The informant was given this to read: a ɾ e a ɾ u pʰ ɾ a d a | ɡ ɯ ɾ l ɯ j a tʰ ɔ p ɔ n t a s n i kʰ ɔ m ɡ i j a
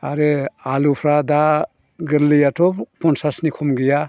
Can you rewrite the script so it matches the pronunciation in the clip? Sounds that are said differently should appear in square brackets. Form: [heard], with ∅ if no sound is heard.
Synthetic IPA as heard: a ɾ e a [l] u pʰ ɾ a d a | ɡ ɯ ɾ l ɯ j a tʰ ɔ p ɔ n [s] a s n i kʰ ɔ m ɡ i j a